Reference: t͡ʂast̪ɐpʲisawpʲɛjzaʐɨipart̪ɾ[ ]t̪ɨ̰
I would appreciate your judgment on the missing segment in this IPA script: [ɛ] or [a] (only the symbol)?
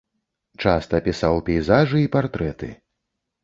ɛ